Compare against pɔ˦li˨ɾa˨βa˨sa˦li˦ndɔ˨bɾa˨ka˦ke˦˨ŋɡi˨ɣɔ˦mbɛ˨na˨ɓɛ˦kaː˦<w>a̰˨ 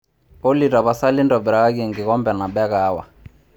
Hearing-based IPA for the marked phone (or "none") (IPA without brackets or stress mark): w